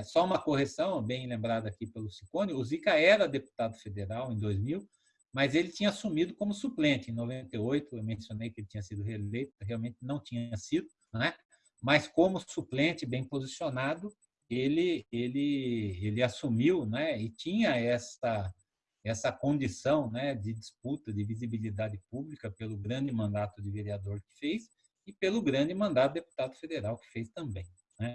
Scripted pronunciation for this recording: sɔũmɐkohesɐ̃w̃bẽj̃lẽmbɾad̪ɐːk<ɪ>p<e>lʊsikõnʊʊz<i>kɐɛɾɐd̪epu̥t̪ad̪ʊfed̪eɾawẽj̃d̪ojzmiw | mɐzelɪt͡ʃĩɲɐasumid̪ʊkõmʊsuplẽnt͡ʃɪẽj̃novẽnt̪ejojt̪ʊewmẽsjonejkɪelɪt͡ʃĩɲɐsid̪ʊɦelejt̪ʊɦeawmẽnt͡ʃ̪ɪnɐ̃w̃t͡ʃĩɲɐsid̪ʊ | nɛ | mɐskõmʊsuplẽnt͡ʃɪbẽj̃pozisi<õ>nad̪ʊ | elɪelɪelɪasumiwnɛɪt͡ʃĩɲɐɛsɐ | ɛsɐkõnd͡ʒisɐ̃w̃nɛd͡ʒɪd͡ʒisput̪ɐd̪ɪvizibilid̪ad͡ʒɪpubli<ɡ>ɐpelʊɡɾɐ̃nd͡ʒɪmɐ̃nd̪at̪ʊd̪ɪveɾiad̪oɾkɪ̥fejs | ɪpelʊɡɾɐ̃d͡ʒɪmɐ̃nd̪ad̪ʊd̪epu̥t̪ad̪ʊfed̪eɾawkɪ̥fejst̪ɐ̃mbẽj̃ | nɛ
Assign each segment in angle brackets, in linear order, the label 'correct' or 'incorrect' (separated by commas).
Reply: incorrect, correct, correct, incorrect, incorrect